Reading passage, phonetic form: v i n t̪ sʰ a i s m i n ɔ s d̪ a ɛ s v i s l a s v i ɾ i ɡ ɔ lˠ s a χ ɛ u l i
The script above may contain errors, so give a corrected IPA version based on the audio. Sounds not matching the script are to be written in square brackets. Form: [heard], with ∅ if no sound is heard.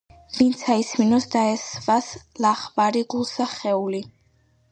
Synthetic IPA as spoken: v i n t̪ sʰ a i s m i n ɔ s d̪ a ɛ s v [a] s l a [χ] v [a] ɾ i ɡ [u] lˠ s a χ ɛ u l i